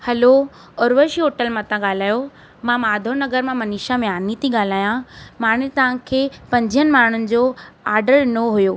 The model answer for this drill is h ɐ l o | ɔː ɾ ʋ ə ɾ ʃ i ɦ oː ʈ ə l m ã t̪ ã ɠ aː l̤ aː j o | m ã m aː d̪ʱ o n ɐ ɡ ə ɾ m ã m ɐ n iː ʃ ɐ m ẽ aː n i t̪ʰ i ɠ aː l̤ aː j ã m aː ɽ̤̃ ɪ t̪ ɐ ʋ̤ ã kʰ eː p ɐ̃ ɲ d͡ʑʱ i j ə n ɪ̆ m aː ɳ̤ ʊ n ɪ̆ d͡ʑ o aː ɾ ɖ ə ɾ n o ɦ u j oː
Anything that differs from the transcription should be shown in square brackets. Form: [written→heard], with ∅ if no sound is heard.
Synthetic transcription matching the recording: h ɐ l o | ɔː ɾ ʋ ə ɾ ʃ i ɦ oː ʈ ə l m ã t̪ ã ɠ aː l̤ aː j o | m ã m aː d̪ʱ o n ɐ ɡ ə ɾ m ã m ɐ n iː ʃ [ɐ→a] m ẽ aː n i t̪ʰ i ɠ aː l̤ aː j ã m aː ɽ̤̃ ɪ t̪ ɐ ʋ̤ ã kʰ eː p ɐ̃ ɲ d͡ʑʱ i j ə n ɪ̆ m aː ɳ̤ ʊ n ɪ̆ d͡ʑ o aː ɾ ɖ ə ɾ n o ɦ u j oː